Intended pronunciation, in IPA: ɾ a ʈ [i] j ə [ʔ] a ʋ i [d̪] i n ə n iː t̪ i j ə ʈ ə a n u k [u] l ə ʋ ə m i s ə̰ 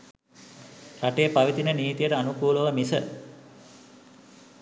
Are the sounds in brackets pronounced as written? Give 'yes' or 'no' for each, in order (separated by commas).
no, no, no, no